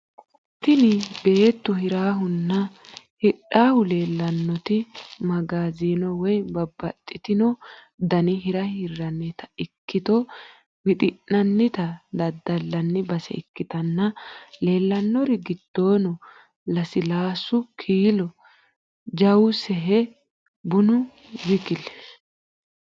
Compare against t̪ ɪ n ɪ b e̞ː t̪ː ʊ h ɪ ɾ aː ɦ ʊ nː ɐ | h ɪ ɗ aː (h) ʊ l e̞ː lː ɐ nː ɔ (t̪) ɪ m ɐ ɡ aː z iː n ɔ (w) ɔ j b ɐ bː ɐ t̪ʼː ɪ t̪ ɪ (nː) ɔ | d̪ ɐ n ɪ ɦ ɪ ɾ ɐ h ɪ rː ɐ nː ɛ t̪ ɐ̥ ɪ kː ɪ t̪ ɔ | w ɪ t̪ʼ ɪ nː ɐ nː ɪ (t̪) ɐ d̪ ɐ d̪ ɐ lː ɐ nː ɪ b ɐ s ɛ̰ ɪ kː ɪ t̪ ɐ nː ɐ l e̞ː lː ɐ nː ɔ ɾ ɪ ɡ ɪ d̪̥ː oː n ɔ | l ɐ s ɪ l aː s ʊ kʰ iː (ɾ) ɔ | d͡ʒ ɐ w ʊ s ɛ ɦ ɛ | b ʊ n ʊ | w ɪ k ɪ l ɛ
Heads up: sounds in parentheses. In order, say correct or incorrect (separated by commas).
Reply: correct, correct, correct, incorrect, correct, incorrect